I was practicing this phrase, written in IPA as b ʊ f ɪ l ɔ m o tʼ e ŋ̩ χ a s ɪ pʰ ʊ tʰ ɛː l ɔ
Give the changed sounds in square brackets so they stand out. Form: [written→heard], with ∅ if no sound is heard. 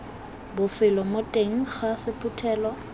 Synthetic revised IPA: b ʊ f ɪ l ɔ m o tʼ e ŋ̩ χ a s ɪ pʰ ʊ tʰ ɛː l ɔ